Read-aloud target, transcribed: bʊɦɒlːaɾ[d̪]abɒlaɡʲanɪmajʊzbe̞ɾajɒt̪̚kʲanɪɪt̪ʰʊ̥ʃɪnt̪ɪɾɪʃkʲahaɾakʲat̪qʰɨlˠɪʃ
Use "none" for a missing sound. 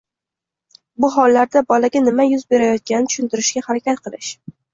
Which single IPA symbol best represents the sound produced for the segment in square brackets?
d̪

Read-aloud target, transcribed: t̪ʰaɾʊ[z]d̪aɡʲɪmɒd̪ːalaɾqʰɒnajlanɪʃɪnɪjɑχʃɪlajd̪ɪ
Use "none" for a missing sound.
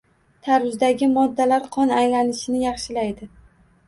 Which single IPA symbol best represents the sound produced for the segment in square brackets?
z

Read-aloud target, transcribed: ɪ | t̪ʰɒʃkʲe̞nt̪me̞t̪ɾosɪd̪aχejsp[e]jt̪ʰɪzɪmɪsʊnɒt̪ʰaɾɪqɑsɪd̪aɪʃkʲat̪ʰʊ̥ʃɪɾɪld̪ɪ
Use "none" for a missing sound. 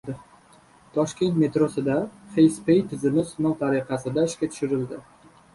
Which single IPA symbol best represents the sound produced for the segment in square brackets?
e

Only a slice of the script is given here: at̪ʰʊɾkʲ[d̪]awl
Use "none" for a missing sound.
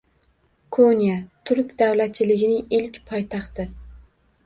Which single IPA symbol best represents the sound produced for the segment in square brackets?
d̪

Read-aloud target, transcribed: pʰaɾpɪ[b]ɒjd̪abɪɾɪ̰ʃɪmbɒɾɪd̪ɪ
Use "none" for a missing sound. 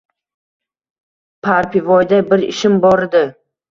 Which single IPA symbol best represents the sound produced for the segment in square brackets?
v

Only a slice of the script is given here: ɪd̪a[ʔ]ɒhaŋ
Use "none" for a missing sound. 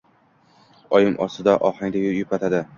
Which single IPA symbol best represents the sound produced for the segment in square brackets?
ʔ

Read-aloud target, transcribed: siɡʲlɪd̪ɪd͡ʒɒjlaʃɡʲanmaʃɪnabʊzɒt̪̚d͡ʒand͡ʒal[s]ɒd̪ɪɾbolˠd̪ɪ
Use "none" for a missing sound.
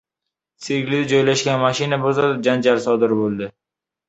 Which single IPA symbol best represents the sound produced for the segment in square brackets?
s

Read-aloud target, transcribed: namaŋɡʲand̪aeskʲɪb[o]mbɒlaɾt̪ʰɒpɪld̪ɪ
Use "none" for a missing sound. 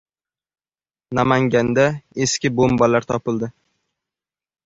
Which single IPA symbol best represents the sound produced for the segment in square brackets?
o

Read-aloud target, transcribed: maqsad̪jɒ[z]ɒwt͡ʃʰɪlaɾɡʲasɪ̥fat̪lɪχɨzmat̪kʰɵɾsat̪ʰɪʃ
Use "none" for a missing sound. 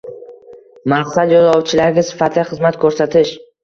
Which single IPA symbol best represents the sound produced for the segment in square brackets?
z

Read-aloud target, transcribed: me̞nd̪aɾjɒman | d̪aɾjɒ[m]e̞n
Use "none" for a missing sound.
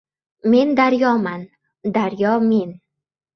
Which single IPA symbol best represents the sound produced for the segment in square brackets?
m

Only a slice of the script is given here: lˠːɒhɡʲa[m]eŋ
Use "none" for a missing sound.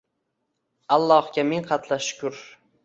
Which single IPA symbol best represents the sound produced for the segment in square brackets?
m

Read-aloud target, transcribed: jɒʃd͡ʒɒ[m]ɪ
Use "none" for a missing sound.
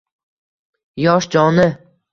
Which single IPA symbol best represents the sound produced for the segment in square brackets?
n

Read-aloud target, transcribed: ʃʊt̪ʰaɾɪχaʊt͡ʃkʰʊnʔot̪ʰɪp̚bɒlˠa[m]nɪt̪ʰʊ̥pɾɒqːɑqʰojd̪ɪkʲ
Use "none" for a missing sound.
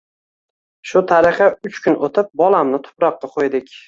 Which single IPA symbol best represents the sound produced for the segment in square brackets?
m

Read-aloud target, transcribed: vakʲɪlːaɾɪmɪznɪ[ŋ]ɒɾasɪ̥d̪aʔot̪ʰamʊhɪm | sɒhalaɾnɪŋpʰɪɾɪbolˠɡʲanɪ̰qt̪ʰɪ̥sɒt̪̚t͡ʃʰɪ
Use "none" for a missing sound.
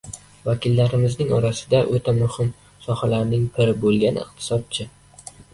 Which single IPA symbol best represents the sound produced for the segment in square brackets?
ŋ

